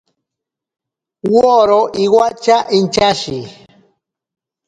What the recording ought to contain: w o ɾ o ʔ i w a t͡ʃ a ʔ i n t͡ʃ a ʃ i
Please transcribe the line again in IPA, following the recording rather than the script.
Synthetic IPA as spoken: w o ɾ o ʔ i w a t͡ʃ a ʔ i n t͡ʃ a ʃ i

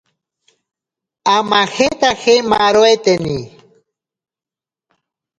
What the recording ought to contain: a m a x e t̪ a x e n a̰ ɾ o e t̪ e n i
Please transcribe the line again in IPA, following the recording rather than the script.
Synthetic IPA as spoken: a m a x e t̪ a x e m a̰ ɾ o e t̪ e n i

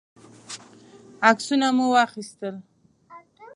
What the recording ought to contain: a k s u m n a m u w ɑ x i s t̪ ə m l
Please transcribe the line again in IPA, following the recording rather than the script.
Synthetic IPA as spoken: a k s u n a m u w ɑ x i s t̪ ə l

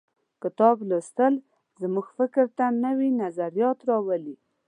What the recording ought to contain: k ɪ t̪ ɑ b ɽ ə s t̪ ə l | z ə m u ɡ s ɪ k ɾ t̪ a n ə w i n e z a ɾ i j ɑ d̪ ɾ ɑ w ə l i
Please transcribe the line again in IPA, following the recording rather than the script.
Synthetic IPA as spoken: k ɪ t̪ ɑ b l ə s t̪ ə l | z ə m u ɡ f ɪ k ɾ t̪ a n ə w i n a z a ɾ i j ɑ t̪ ɾ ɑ w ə l i

